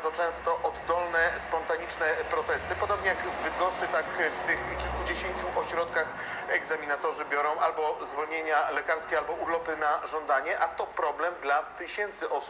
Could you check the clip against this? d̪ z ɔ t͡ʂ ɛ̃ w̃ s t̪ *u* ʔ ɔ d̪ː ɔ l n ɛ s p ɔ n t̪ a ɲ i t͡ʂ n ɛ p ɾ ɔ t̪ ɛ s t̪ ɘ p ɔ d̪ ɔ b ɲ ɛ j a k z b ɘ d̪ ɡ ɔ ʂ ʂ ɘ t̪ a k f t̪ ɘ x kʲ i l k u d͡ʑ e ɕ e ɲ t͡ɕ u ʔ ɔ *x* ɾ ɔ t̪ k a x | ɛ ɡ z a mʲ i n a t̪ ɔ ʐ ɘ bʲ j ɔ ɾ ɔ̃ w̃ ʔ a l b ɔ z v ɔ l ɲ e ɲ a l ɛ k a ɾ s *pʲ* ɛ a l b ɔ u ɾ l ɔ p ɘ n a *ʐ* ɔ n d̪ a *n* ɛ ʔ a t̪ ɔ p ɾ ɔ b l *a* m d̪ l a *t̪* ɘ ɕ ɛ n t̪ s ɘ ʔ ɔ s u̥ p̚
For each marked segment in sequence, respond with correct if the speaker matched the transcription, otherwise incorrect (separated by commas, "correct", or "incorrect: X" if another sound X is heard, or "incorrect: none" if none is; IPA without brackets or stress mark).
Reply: incorrect: ɔ, incorrect: ɕ, incorrect: kʲ, correct, incorrect: ɲ, incorrect: ɛ, correct